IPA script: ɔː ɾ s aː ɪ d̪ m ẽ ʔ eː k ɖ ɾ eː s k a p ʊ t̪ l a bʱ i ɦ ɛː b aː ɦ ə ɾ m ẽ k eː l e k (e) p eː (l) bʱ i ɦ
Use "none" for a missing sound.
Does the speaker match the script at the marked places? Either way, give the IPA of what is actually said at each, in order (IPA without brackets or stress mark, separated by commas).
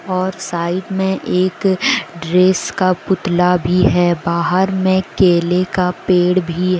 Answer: a, ɽ